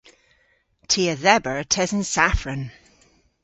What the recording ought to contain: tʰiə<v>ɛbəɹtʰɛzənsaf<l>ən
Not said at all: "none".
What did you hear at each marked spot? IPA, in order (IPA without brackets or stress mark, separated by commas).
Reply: ð, ɹ